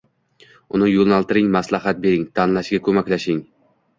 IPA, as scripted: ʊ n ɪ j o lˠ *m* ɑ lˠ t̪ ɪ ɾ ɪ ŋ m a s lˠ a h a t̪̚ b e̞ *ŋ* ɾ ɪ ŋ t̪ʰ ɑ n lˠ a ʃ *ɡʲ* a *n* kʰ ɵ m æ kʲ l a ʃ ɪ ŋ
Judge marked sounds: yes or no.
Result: no, no, yes, no

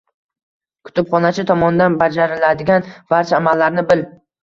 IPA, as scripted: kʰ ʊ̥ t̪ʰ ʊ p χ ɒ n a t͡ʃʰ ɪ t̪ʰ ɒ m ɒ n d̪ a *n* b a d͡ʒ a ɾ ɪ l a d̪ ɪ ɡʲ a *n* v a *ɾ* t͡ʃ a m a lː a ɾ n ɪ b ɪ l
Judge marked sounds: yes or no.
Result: yes, yes, yes

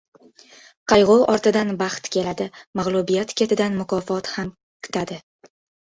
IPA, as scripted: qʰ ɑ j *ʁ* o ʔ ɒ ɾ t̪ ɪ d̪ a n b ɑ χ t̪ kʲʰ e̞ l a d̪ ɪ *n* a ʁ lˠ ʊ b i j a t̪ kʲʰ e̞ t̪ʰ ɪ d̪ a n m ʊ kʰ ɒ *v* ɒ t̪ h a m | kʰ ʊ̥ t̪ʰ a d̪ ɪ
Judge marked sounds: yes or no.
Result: yes, no, no

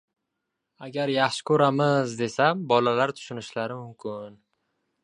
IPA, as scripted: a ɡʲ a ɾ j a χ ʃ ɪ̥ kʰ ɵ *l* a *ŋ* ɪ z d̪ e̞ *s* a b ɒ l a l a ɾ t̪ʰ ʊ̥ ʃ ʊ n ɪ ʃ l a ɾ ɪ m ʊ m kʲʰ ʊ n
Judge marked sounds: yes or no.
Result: no, no, yes

